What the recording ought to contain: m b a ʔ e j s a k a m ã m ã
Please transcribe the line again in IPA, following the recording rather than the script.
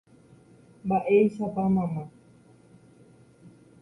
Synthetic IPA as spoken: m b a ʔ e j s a p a m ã m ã